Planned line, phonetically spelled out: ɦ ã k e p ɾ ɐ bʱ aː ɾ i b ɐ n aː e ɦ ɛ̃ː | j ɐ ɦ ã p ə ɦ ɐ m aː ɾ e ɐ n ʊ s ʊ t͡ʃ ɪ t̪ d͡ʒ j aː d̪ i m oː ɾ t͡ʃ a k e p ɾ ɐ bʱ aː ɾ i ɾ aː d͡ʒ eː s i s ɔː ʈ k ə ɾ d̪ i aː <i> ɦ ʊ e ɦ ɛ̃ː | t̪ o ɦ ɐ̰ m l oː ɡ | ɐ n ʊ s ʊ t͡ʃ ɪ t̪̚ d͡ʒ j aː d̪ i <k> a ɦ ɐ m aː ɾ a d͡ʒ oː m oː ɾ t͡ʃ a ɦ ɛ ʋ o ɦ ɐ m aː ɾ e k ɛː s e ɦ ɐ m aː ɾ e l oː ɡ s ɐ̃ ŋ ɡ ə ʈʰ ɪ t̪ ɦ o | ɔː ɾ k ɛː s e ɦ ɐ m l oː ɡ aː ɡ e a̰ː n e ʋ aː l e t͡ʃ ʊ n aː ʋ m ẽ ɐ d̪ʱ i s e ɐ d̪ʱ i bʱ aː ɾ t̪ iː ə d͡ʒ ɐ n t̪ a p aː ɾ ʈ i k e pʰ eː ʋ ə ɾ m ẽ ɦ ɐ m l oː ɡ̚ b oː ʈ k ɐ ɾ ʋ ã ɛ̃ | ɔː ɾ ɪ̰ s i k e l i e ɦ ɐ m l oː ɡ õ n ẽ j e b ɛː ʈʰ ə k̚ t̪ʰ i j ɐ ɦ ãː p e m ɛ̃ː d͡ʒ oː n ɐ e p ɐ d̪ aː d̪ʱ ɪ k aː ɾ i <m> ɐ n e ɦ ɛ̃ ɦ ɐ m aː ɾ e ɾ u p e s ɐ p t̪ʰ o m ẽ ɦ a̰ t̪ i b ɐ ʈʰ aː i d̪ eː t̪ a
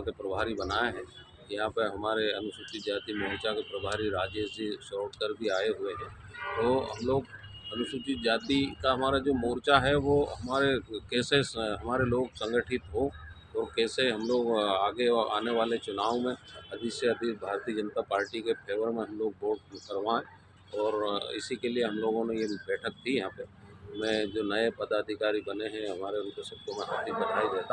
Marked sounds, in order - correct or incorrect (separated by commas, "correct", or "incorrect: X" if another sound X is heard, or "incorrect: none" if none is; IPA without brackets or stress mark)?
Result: incorrect: e, correct, incorrect: b